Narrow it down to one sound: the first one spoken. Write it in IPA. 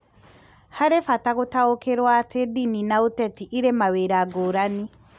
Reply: h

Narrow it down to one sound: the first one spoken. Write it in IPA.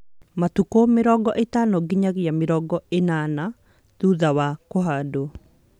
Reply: m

